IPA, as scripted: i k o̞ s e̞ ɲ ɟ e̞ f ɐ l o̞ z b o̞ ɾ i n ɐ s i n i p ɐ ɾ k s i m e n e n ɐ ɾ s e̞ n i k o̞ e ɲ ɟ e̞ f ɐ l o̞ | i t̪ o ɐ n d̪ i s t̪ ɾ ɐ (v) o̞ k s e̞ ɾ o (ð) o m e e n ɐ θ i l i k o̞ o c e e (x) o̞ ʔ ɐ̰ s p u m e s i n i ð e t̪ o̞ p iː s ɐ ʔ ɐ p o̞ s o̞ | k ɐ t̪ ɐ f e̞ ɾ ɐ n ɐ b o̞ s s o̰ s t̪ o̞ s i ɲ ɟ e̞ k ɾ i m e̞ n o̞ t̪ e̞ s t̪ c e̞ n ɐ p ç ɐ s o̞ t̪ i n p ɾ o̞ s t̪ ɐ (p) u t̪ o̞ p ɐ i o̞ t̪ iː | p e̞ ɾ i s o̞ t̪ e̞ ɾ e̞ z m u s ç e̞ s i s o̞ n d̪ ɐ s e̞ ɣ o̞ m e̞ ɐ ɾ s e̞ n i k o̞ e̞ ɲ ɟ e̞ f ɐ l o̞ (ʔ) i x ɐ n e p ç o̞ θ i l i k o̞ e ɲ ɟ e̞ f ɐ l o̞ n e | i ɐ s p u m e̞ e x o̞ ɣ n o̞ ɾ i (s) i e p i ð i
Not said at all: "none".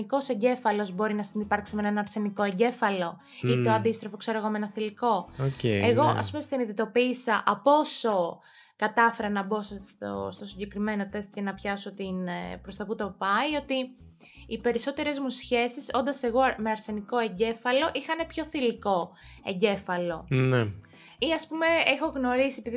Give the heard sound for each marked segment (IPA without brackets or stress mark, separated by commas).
f, ɣ, ɣ, p, ʔ, s